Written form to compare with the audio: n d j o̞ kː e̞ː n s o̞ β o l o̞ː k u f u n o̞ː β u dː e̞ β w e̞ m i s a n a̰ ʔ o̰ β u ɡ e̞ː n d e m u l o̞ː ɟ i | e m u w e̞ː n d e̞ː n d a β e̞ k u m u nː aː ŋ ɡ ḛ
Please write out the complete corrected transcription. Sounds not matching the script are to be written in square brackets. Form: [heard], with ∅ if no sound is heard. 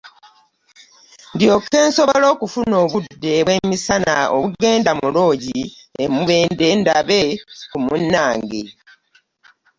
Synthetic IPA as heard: n d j o̞ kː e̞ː n s o̞ β o l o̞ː k u f u n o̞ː β u dː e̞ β w e̞ m i s a n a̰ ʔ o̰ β u ɡ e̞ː n d [a] m u l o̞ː ɟ i | e m u [β] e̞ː n d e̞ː n d a β e̞ k u m u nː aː ŋ ɡ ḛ

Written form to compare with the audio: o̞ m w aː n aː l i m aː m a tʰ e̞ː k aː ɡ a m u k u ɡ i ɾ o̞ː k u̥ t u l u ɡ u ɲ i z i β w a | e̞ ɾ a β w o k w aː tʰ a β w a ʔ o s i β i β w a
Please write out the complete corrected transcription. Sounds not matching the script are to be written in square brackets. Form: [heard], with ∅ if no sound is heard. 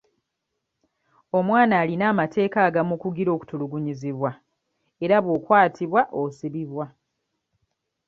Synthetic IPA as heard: o̞ m w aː n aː l i [n] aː m a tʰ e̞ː k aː ɡ a m u k u ɡ i ɾ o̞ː k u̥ t u l u ɡ u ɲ i z i β w a | e̞ ɾ a β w o k w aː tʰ [i] β w a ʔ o s i β i β w a

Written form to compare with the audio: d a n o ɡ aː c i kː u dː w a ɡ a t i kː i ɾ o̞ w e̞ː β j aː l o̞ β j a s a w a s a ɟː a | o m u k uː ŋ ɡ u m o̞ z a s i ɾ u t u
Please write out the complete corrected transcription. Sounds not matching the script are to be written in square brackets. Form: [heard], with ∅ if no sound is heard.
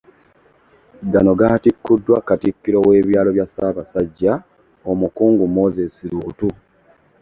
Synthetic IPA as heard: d a n o ɡ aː [t] i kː u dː w a [k] a t i kː i ɾ o̞ w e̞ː β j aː l o̞ β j a s a [β] a s a ɟː a | o m u k uː ŋ ɡ u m o̞ z [e] s i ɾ u t u

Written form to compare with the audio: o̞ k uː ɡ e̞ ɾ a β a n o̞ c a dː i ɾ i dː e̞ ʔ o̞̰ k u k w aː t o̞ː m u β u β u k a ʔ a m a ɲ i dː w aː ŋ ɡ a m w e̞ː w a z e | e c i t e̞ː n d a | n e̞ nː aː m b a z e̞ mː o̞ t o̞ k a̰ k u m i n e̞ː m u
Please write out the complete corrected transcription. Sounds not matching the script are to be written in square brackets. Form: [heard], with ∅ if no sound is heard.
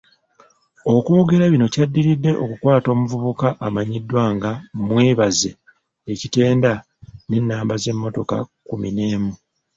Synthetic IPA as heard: o̞ k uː ɡ e̞ ɾ a β [i] n o̞ c a dː i ɾ i dː e̞ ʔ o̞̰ k u k w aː t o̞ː m u [v] u β u k a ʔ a m a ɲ i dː w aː ŋ ɡ a m w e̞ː [β] a z e | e c i t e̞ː n d a | n e̞ nː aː m b a z e̞ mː o̞ t o̞ k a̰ k u m i n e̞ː m u

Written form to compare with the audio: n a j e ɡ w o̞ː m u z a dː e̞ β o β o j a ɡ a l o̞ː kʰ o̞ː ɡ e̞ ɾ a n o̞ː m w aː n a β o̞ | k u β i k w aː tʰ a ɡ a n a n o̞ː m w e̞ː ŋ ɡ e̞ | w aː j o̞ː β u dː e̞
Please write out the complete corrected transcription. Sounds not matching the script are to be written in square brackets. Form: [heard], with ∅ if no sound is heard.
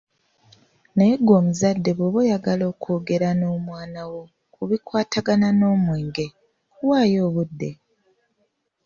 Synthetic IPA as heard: n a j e ɡ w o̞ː m u z a dː e̞ β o β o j a ɡ a l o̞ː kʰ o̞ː ɡ e̞ ɾ a n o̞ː m w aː n a [w] o̞ | k u β i k w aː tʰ a ɡ a n a n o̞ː m w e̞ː ŋ ɡ e̞ | w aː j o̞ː β u dː e̞

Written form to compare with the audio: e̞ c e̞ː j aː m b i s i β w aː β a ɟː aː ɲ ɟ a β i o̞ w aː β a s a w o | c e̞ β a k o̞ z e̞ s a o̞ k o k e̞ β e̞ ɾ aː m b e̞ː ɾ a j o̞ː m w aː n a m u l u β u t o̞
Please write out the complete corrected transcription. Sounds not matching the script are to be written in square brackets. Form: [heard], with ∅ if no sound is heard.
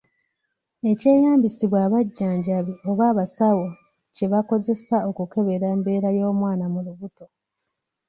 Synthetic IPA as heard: e̞ c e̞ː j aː m b i s i β w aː β a ɟː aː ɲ ɟ a β i o̞ [β] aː β a s a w o | c e̞ β a k o̞ z e̞ s a o̞ k [u] k e̞ β e̞ ɾ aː m b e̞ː ɾ a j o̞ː m w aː n a m u l u β u t o̞

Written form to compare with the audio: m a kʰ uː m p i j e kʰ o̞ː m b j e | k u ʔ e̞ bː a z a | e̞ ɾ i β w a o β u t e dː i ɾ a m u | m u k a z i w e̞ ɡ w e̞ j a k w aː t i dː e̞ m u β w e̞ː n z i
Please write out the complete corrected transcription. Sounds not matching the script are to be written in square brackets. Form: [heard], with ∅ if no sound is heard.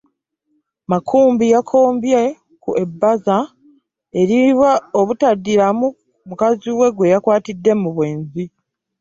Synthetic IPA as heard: m a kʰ uː m [b] i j [a] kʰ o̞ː m b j e | k u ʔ e̞ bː a z a | e̞ ɾ i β w a o β u t [a] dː i ɾ a m u | m u k a z i w e̞ ɡ w e̞ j a k w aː t i dː e̞ m u β w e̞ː n z i

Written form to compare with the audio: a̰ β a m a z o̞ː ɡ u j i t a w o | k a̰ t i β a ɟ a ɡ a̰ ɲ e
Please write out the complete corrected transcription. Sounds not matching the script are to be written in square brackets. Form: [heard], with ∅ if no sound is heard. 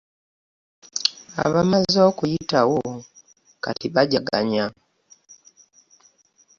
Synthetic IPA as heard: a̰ β a m a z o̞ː [k] u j i t a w o | k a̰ t i β a ɟ a ɡ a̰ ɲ [a]

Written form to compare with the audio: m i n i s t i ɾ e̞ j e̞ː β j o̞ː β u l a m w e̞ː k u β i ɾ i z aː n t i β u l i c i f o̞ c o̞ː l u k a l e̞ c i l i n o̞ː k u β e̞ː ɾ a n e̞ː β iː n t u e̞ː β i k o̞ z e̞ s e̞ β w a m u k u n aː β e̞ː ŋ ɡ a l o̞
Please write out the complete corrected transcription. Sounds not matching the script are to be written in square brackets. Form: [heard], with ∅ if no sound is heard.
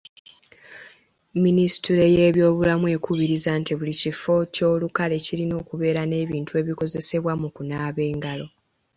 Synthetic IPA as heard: m i n i s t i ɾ e̞ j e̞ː β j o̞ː β u l a m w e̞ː k u β i ɾ i z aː n t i β u l i c i f o̞ c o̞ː l u k a l e̞ c i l i n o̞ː k u β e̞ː ɾ a n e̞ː β iː n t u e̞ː β i k o̞ z e̞ s e̞ β w a m u k u n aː β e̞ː ŋ ɡ a l o̞

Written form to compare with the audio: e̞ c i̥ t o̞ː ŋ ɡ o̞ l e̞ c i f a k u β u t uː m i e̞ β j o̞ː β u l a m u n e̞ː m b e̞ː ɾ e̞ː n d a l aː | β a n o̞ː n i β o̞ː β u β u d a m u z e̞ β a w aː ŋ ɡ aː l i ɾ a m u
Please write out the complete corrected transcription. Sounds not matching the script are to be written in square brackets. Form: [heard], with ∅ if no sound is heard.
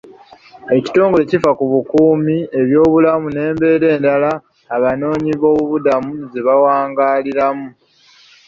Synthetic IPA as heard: e̞ c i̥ t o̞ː ŋ ɡ o̞ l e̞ c i f a k u β u [k] uː m i e̞ β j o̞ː β u l a m u n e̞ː m b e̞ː ɾ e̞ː n d a l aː | β a n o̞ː [ɲ] i β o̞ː β u β u d a m u z e̞ β a w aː ŋ ɡ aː l i ɾ a m u

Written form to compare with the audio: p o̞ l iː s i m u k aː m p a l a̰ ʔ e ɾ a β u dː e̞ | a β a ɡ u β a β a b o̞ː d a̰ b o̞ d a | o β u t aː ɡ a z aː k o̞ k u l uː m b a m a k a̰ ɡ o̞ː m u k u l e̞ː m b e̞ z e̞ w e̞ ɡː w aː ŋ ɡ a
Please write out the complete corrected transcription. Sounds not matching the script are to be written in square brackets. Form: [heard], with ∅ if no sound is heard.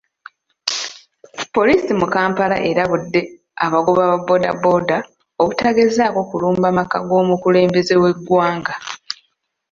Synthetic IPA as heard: p o̞ l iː s i m u k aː m p a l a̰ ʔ e ɾ a β u dː e̞ | a β a ɡ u β a β a b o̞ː d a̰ b o̞ d a | o β u t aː ɡ [e] z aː k o̞ k u l uː m b a m a k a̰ ɡ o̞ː m u k u l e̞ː m b e̞ z e̞ w e̞ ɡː w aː ŋ ɡ a

